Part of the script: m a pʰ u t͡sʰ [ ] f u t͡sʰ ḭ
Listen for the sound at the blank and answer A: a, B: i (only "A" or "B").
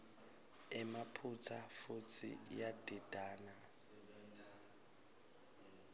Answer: A